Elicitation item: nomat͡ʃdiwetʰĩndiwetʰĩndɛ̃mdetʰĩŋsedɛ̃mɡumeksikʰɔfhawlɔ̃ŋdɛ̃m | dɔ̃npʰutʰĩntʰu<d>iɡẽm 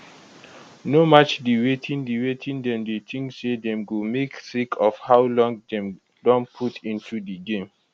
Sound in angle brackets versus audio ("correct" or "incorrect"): correct